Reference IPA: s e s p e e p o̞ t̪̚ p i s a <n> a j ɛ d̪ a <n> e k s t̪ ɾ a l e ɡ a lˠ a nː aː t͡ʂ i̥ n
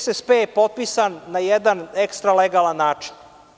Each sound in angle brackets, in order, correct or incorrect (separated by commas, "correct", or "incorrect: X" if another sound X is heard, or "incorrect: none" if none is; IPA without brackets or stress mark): incorrect: nː, correct